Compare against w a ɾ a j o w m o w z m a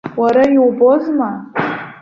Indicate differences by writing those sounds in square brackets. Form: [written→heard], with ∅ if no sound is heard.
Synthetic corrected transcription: w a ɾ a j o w [m→b] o [w→∅] z m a